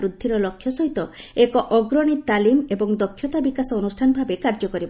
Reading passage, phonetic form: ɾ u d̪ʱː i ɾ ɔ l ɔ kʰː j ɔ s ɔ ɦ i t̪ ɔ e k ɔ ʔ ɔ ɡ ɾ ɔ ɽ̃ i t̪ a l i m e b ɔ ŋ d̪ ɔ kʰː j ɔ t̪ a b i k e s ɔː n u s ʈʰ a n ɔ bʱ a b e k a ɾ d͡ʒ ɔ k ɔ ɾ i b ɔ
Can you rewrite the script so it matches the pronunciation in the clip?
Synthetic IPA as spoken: ɾ u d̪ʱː i ɾ ɔ l ɔ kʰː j ɔ s ɔ ɦ i t̪ ɔ e k ɔ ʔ ɔ ɡ ɾ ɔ ɽ̃ i t̪ a l i m e b ɔ ŋ d̪ ɔ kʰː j ɔ t̪ a b i k a s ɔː n u s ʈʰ a n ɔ bʱ a b e k a ɾ d͡ʒ ɔ k ɔ ɾ i b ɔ